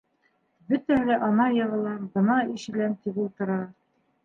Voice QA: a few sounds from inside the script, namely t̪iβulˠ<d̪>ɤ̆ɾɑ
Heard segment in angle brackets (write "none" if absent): t̪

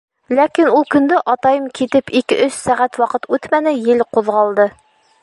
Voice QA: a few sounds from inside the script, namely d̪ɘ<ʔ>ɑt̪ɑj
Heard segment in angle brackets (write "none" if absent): ʔ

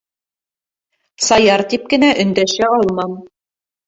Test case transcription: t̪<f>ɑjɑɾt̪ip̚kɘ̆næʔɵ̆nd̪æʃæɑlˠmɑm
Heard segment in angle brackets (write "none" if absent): s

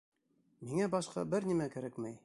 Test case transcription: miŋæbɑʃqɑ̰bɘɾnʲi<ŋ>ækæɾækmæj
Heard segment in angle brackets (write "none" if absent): m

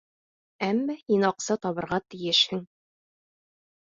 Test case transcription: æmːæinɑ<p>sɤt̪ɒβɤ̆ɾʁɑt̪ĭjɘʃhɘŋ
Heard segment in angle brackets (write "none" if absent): q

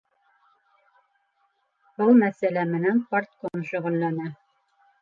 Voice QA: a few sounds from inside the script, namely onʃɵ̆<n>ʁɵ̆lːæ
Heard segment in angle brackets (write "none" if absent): none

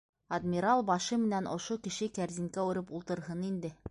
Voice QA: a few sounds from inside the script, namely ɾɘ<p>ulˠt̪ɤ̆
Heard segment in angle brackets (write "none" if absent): p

